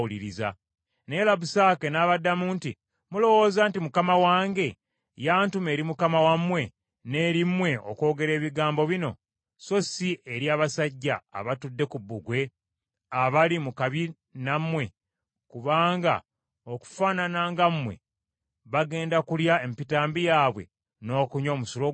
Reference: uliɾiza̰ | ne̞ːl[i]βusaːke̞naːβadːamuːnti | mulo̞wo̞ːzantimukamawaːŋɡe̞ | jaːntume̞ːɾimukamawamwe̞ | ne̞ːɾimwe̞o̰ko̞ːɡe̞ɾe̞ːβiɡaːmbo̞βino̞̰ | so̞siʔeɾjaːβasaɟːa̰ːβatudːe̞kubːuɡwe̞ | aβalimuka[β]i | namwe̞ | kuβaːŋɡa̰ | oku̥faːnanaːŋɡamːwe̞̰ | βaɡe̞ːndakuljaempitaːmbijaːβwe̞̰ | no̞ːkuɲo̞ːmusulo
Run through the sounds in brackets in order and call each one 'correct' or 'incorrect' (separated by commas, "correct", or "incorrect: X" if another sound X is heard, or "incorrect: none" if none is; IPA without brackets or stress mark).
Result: incorrect: a, correct